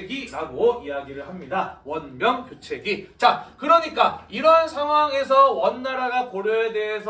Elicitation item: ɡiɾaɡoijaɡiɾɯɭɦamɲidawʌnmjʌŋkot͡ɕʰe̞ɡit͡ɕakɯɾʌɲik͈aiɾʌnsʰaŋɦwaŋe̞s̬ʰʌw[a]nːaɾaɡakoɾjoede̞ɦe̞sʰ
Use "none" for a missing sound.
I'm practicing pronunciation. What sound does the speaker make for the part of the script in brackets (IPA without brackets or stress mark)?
ʌ